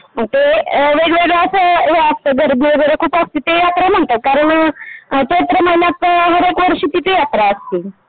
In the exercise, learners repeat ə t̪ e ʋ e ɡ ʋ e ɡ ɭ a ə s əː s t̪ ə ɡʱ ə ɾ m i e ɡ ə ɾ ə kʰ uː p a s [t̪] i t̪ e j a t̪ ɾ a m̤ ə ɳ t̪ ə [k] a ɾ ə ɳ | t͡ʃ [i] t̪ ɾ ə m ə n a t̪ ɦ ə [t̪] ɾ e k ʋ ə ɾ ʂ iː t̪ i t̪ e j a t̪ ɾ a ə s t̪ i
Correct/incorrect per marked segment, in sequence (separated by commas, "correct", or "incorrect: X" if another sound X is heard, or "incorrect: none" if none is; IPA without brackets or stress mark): correct, correct, incorrect: e, incorrect: none